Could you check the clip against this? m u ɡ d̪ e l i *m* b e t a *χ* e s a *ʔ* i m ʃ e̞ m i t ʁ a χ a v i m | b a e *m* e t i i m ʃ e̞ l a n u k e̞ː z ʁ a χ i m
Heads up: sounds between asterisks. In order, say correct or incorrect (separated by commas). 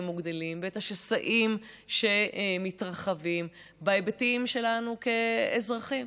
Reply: correct, incorrect, correct, incorrect